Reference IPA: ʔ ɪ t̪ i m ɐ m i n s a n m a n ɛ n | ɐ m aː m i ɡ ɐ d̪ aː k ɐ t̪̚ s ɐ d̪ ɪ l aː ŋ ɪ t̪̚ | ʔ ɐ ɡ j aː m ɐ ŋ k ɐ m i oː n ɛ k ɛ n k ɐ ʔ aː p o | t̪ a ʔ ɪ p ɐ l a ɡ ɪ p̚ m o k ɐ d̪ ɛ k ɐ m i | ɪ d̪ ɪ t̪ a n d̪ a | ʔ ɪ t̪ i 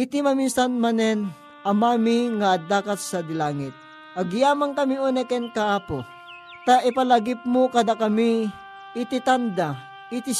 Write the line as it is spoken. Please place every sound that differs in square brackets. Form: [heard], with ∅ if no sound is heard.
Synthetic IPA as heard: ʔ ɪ t̪ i m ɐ m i n s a n m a n ɛ n | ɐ m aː m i [ŋ] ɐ d̪ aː k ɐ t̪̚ s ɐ d̪ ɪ l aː ŋ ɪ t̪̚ | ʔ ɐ ɡ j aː m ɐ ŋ k ɐ m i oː n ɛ k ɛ n k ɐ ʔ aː p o | t̪ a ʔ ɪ p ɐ l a ɡ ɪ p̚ m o k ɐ d̪ [a] k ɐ m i | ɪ [t̪] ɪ t̪ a n d̪ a | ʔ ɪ t̪ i